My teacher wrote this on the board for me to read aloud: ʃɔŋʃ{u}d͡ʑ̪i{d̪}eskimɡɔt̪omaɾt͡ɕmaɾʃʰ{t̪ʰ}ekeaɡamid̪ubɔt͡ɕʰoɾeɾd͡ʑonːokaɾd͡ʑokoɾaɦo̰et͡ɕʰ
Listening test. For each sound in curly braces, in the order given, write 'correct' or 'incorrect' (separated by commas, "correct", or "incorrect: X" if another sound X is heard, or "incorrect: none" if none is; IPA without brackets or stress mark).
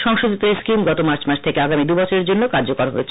incorrect: o, incorrect: t̪, correct